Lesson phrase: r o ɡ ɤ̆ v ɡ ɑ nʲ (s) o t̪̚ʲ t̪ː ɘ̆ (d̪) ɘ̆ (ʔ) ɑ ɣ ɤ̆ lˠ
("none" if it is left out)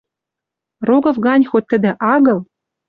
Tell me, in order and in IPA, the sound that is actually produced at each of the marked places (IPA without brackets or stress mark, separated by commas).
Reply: x, d̪, ʔ